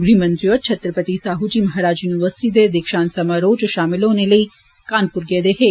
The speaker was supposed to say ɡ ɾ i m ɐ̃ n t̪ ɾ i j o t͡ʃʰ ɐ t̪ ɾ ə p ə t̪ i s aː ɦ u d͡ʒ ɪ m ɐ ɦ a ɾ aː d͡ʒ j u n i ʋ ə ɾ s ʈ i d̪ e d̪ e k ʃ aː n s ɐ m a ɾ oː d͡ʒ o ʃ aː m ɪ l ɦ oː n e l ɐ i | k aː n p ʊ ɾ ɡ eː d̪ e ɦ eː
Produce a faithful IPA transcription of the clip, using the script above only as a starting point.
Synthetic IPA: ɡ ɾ i m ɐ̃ n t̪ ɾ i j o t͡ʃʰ ɐ t̪ ɾ ə p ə t̪ i s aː ɦ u d͡ʒ i m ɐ ɦ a ɾ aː d͡ʒ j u n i ʋ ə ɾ s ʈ i d̪ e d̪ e k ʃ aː n s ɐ m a ɾ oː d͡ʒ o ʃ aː m ɪ l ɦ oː n e l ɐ i | k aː n p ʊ ɾ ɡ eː d̪ e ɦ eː